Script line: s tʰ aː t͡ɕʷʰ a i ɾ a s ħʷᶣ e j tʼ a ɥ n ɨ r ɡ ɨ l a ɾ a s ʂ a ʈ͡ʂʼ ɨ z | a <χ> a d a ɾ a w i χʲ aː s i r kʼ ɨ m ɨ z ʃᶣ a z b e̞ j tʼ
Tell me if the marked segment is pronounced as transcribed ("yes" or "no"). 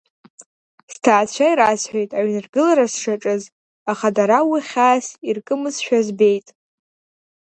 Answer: yes